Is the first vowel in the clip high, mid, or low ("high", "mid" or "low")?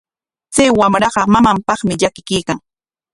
low